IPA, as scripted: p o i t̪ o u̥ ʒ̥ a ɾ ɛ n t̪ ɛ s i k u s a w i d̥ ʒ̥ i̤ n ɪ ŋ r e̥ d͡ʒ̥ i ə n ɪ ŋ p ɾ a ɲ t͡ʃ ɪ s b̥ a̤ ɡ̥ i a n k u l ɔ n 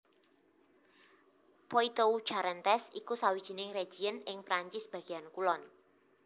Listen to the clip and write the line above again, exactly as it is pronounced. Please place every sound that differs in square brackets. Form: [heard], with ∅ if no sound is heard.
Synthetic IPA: p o i t̪ o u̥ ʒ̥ a ɾ ɛ n t̪ ɛ s i k u s a w i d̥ ʒ̥ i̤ n ɪ ŋ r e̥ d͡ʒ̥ i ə n ɪ ŋ p ɾ a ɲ t͡ʃ ɪ s b̥ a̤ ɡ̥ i a n k u l ɔ n